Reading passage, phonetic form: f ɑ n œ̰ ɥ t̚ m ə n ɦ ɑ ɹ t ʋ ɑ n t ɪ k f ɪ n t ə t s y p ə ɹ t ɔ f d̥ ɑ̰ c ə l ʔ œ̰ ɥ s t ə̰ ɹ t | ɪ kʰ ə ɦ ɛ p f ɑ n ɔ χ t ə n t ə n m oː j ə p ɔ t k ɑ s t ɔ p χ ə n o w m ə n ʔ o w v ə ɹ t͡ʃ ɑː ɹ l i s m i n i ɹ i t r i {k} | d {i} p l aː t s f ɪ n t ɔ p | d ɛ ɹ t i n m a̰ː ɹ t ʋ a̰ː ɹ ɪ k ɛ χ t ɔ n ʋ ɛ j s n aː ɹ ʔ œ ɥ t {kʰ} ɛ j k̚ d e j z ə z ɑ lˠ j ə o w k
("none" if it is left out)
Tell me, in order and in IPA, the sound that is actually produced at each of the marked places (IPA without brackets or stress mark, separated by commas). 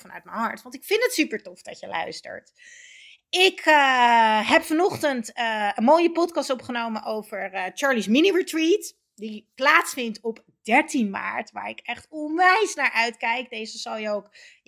t, i, k